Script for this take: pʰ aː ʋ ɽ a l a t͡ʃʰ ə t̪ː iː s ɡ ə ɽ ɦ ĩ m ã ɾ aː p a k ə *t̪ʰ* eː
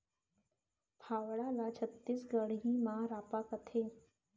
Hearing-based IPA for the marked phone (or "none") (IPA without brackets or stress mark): t̪ʰ